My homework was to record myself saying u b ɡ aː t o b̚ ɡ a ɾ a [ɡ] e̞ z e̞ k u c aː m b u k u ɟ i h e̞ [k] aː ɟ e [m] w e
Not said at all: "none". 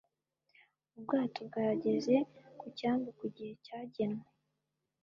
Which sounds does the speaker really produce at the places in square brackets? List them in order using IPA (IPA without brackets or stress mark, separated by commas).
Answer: ɟ, c, n